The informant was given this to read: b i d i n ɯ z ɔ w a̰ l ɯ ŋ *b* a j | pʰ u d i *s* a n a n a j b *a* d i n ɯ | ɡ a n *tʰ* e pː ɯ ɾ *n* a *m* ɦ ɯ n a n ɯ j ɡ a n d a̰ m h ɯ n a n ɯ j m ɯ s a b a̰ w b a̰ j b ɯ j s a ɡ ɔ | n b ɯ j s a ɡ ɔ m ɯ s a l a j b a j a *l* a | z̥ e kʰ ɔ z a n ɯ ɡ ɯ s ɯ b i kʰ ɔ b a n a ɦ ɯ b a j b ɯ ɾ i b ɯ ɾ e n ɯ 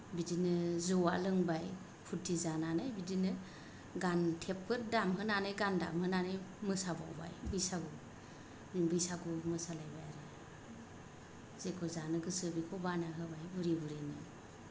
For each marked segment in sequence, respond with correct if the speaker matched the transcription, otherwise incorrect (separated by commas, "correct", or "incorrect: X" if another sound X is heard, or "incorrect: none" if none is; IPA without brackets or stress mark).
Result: correct, incorrect: z, incorrect: i, correct, incorrect: d, correct, incorrect: ɾ